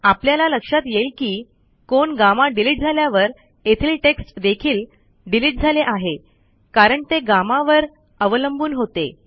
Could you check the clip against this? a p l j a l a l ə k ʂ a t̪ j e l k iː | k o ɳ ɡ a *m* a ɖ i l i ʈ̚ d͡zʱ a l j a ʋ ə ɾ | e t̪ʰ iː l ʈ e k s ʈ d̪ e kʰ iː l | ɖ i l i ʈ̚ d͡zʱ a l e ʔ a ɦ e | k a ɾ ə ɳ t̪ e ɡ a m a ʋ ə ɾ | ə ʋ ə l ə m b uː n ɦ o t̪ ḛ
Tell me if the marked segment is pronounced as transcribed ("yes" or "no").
yes